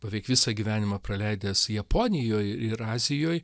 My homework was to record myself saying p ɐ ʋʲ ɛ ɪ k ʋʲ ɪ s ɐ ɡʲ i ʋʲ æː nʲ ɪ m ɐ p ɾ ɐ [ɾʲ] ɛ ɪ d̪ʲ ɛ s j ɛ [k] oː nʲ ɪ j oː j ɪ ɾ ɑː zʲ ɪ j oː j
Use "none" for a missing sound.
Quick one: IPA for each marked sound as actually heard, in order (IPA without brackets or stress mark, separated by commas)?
lʲ, p